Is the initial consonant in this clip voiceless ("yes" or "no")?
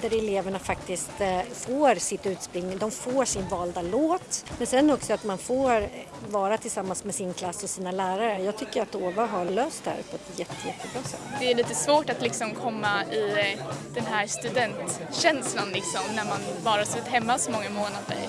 no